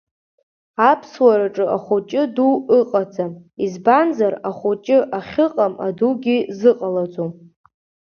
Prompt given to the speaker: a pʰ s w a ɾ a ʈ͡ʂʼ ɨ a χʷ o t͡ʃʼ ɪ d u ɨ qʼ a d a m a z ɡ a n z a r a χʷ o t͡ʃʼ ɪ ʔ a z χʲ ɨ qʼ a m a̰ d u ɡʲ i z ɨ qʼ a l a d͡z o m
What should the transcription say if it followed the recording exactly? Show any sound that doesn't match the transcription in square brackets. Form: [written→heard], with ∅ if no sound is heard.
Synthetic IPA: a pʰ s w a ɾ a ʈ͡ʂʼ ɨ a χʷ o t͡ʃʼ ɪ d u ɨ qʼ a [d→d͡z] a m [a→i] z [ɡ→b] a n z a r a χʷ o t͡ʃʼ ɪ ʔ a [z→∅] χʲ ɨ qʼ a m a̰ d u ɡʲ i z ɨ qʼ a l a d͡z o m